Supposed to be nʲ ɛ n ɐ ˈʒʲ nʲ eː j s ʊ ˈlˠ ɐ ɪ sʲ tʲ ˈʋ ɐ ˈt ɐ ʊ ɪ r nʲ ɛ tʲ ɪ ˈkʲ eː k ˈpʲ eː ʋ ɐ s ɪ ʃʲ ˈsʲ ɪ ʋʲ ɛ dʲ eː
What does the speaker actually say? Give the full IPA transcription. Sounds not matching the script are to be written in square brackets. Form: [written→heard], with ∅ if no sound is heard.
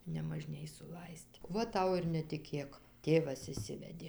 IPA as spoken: nʲ ɛ [n→m] ɐ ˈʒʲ nʲ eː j s ʊ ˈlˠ ɐ ɪ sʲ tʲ ˈʋ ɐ ˈt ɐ ʊ ɪ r nʲ ɛ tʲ ɪ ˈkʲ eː k [ˈpʲ→ˈtʲ] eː ʋ ɐ s ɪ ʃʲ ˈsʲ ɪ ʋʲ ɛ dʲ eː